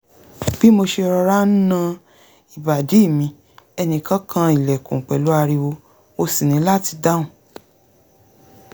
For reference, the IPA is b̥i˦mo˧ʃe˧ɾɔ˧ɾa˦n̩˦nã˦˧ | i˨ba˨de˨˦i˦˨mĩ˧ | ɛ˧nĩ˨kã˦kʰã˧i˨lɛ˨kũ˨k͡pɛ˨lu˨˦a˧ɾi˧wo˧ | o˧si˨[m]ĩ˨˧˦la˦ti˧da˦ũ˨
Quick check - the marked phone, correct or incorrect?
incorrect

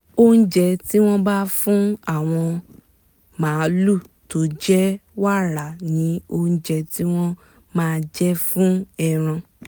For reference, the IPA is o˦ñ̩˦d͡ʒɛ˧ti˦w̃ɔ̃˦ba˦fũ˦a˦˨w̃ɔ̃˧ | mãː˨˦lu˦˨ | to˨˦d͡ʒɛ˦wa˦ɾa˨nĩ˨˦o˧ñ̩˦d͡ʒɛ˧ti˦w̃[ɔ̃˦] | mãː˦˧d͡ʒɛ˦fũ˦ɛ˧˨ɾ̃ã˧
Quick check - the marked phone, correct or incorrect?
correct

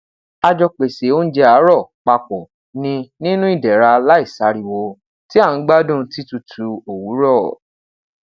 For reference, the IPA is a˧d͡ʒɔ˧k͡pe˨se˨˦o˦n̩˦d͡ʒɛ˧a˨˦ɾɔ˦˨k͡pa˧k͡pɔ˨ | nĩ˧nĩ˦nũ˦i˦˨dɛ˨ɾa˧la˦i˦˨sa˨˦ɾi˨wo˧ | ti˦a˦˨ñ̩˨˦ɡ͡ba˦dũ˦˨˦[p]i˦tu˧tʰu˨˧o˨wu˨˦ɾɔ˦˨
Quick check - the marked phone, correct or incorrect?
incorrect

